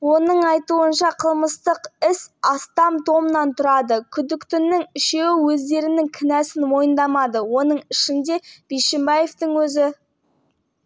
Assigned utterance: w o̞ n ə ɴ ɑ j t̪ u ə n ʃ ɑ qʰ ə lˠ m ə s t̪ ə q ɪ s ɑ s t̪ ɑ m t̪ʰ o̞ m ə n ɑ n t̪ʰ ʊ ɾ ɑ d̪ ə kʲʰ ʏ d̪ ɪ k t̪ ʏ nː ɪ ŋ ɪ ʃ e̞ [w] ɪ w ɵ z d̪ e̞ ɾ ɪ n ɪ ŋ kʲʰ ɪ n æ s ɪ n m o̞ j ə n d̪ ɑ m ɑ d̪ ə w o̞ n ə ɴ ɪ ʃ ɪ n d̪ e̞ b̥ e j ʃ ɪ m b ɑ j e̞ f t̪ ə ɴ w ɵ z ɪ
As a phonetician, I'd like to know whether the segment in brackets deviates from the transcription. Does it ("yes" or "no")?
no